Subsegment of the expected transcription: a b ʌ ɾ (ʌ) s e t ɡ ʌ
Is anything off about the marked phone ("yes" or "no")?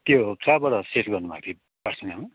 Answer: no